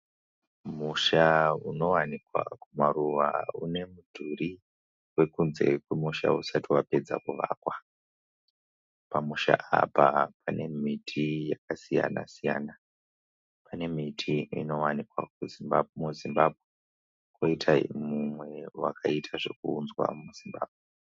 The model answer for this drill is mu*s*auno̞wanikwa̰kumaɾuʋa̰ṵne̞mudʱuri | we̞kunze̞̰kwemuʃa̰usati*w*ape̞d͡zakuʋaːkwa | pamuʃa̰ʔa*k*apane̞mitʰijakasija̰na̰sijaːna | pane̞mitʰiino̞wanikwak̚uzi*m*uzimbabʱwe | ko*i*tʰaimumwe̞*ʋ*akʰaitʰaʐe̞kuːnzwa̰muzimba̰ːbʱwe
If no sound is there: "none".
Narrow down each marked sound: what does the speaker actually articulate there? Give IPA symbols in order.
ʃ, w, p, m, i, w

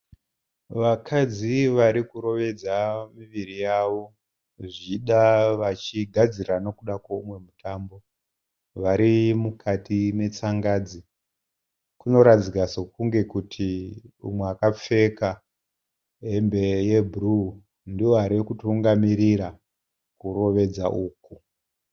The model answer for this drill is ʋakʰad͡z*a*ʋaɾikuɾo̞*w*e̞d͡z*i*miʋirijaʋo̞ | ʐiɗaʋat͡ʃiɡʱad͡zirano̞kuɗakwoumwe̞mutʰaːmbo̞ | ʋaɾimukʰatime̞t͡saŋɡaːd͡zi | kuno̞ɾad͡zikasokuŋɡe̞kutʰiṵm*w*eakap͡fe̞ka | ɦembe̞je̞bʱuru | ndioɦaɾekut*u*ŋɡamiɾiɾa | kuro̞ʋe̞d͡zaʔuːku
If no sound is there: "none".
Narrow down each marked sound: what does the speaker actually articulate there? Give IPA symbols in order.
i, ʋ, a, w, u

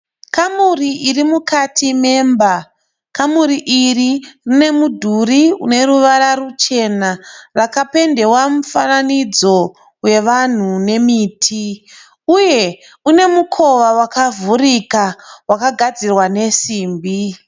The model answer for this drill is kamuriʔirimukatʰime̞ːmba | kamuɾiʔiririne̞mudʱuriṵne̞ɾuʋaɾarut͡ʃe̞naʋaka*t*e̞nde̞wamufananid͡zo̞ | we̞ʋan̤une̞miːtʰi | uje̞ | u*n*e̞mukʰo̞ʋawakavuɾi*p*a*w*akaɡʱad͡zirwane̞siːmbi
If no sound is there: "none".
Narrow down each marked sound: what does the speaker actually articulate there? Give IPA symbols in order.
p, n, k, w

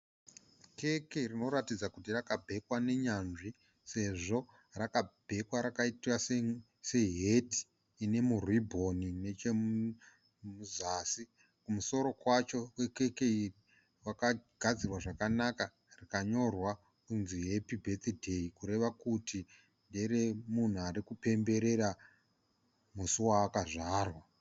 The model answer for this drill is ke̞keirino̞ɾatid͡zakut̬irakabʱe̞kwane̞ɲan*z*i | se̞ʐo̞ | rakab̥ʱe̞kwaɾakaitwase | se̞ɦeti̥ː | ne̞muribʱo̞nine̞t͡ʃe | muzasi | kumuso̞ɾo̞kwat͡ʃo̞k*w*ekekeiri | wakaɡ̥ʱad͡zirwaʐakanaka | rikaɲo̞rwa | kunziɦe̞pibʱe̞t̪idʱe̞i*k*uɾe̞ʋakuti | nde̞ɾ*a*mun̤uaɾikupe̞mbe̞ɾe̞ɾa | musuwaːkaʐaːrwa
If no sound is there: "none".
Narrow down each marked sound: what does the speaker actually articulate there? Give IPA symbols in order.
ʐ, w, k, e

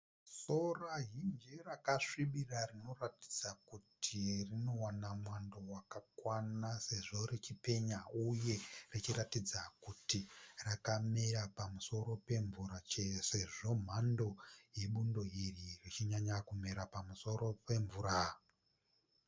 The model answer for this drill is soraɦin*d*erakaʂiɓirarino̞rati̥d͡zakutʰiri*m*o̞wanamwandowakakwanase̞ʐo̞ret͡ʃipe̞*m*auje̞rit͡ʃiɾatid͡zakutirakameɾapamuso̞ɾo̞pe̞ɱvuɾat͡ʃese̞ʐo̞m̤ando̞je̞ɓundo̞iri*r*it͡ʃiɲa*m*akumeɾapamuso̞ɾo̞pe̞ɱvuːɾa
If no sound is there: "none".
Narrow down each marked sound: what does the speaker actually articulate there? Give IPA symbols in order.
d͡ʒ, n, ɲ, r, ɲ

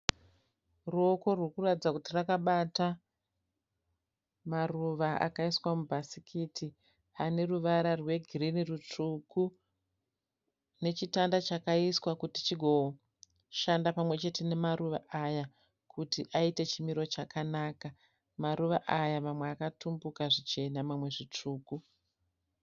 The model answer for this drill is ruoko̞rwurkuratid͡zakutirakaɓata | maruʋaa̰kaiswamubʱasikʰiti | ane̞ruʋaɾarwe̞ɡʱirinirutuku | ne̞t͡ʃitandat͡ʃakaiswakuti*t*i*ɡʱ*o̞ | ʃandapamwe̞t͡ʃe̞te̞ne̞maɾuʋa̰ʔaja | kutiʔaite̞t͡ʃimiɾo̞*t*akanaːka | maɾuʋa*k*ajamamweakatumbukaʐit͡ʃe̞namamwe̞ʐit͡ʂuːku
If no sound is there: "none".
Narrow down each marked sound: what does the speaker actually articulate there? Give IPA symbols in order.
t͡ʃ, ɡʱ, t͡ʃ, ʔ

